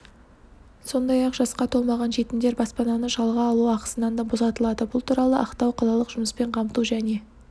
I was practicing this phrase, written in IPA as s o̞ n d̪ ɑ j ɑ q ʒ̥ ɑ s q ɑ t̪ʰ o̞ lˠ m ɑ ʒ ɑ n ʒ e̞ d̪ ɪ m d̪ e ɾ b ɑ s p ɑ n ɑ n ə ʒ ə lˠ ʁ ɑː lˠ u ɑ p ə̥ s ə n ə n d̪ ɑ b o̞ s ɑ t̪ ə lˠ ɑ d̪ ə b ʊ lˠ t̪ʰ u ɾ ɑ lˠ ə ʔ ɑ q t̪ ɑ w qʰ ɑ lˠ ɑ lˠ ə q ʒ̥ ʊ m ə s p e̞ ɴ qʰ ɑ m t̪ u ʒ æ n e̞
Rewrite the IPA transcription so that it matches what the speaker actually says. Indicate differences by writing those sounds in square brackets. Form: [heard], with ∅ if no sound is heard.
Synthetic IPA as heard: s o̞ n d̪ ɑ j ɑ q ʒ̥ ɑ s q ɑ t̪ʰ o̞ lˠ m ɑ [ʁ] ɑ n ʒ e̞ [t̪] ɪ m d̪ e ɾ b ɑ s p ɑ n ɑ n ə ʒ [ɑ] lˠ ʁ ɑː lˠ u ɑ [q] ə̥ s ə n [ɑ] n d̪ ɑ b o̞ s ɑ t̪ ə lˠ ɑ d̪ ə b ʊ lˠ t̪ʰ u ɾ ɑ lˠ ə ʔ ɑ q t̪ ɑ w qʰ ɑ lˠ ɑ lˠ ə q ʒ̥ ʊ m ə s p e̞ ɴ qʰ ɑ m t̪ u ʒ æ n e̞